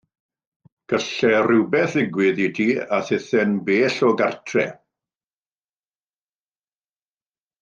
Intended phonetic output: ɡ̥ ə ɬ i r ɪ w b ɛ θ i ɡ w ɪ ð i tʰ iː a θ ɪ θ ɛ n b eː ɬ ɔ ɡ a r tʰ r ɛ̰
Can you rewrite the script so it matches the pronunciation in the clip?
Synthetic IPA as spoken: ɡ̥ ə ɬ ɛ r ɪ w b ɛ θ ɪ ɡ w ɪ ð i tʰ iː a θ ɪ θ ɛ n b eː ɬ ɔ ɡ a r tʰ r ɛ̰